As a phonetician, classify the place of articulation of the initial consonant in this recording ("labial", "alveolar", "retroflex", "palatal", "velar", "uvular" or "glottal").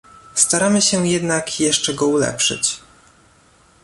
alveolar